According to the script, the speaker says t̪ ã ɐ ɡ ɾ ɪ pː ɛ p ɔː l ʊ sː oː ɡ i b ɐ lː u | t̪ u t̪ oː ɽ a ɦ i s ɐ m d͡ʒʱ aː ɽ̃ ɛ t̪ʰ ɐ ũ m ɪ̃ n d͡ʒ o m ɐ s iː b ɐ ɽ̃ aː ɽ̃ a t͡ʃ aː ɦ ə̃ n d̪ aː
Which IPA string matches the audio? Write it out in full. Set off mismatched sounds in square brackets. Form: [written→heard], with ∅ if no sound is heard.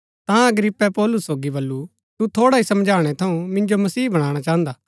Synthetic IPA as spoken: t̪ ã ɐ ɡ ɾ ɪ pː ɛ p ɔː l ʊ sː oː ɡ i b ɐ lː u | t̪ u [t̪→t̪ʰ] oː ɽ a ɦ i s ɐ m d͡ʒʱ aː ɽ̃ ɛ t̪ʰ ɐ ũ m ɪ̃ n d͡ʒ o m ɐ s iː b ɐ ɽ̃ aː ɽ̃ a t͡ʃ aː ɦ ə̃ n d̪ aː